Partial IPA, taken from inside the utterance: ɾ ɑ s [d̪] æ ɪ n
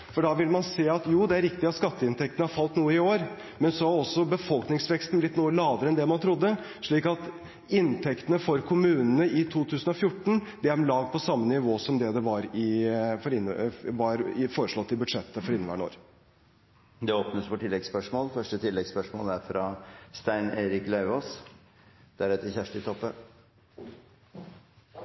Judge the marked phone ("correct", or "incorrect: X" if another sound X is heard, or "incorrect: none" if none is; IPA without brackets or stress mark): incorrect: t̪